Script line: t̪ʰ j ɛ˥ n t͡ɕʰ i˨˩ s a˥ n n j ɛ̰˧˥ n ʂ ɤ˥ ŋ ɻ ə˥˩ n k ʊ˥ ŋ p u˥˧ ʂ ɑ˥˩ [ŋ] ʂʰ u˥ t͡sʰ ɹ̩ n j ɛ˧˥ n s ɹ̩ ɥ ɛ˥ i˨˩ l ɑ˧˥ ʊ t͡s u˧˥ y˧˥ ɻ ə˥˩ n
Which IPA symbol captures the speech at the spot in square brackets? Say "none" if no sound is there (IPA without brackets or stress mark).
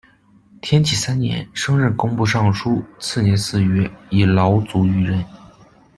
ŋ